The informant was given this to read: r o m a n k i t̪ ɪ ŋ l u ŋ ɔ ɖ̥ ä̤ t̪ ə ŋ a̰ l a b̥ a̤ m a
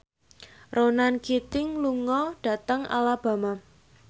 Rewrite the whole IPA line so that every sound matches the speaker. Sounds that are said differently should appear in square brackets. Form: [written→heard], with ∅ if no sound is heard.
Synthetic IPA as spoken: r o [m→n] a n k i t̪ ɪ ŋ l u ŋ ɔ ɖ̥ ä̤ t̪ ə ŋ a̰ l a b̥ a̤ m a